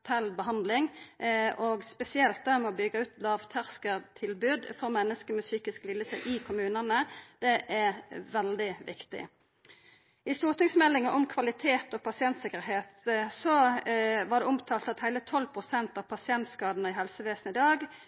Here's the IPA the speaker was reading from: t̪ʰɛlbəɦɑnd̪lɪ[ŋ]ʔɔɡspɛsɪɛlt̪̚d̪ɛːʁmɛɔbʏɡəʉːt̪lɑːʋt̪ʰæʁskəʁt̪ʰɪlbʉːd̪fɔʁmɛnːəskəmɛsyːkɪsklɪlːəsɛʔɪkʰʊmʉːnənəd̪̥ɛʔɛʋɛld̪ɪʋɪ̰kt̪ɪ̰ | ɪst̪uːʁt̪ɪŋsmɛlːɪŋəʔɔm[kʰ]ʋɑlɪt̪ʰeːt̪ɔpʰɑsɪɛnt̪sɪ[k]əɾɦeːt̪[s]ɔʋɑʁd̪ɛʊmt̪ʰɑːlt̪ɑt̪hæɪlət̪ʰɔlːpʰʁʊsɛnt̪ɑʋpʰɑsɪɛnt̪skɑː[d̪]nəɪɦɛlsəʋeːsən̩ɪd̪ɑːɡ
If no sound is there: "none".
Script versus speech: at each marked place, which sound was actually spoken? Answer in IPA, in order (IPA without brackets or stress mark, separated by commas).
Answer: ŋ, kʰ, k, s, d̪